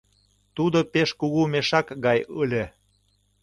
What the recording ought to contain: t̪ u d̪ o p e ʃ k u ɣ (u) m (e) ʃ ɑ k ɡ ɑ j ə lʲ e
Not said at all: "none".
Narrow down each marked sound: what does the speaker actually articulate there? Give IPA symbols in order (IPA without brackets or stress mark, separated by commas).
u, e